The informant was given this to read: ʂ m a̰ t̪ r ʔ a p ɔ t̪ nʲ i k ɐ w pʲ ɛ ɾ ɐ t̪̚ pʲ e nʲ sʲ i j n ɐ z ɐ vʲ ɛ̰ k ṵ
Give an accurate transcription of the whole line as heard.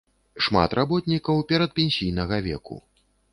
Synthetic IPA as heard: ʂ m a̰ t̪ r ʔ a b ɔ t̪ nʲ i k ɐ w pʲ ɛ ɾ ɐ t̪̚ pʲ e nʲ sʲ i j n ɐ ɣ ɐ vʲ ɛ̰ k ṵ

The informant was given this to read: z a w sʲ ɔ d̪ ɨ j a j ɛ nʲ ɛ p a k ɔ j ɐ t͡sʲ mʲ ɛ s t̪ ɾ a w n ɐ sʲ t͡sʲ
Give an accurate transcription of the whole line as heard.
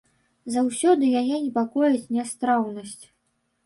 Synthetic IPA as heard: z a w sʲ ɔ d̪ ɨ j a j ɛ nʲ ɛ p a k ɔ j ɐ t͡sʲ nʲ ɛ s t̪ ɾ a w n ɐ sʲ t͡sʲ

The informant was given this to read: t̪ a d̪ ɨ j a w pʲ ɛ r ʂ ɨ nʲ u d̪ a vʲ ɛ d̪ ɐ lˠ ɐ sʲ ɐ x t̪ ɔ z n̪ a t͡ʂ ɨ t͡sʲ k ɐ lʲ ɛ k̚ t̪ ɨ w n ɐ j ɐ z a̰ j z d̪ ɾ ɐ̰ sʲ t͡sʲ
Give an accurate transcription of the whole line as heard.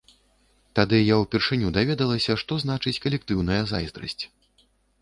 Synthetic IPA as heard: t̪ a d̪ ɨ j a w pʲ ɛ r ʂ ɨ nʲ u d̪ a vʲ ɛ d̪ ɐ lˠ ɐ sʲ ɐ ʂ t̪ ɔ z n̪ a t͡ʂ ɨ t͡sʲ k ɐ lʲ ɛ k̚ t̪ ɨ w n ɐ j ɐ z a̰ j z d̪ ɾ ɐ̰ sʲ t͡sʲ

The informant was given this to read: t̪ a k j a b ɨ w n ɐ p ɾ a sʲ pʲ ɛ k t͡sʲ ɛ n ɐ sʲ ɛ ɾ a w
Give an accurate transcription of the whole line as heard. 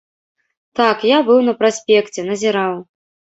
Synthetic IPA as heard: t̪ a k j a b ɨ w n ɐ p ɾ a sʲ pʲ ɛ k t͡sʲ ɛ n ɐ zʲ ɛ ɾ a w

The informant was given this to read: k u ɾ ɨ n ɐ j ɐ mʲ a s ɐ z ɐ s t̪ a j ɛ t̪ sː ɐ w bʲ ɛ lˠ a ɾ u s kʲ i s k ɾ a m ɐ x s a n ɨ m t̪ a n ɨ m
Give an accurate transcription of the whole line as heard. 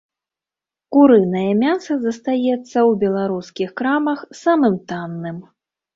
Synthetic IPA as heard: k u ɾ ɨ n ɐ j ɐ mʲ a s ɐ z ɐ s t̪ a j ɛ t̪ sː ɐ w bʲ ɛ lˠ a ɾ u s kʲ i x k ɾ a m ɐ x s a m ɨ m t̪ a nː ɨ m

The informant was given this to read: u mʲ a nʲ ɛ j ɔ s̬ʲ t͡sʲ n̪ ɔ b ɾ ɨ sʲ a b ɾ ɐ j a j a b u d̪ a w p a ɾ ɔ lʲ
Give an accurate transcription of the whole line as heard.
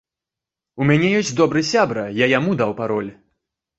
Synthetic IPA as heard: u mʲ a nʲ ɛ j ɔ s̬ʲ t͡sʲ d̪ ɔ b ɾ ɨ sʲ a b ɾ ɐ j a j a m u d̪ a w p a ɾ ɔ lʲ

